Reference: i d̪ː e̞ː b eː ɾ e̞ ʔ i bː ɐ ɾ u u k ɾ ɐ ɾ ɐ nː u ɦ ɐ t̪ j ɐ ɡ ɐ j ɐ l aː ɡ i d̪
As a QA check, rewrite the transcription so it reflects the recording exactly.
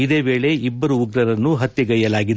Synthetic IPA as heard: i d̪ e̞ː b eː ɭ e̞ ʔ i bː ɐ ɾ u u ɡ ɾ ɐ ɾ ɐ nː u ɦ ɐ t̪ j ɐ ɡ ɐ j ɐ l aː ɡ i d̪